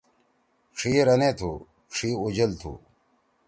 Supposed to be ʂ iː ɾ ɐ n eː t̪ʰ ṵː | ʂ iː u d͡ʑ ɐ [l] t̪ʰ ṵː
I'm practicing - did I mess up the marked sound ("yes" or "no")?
no